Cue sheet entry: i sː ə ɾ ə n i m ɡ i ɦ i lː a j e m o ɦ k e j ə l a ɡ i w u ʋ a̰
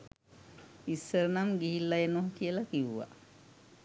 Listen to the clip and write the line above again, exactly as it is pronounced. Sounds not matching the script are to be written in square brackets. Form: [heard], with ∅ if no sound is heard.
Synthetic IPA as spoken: i sː ə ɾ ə n [a] m ɡ i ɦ i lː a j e [n] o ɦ k [i] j ə l a [k] i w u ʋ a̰